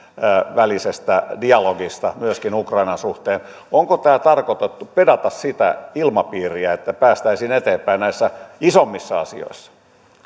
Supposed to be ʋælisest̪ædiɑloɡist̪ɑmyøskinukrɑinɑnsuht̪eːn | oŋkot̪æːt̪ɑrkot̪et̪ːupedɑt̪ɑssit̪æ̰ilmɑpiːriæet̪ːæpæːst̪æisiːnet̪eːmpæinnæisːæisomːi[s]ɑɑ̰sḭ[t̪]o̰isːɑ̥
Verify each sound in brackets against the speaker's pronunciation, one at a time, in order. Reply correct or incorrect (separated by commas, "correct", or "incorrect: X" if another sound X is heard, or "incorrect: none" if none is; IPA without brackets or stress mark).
incorrect: sː, incorrect: none